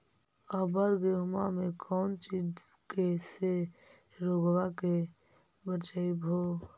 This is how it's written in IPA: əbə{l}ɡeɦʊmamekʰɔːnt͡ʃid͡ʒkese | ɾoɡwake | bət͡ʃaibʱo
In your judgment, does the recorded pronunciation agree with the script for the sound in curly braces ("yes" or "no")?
no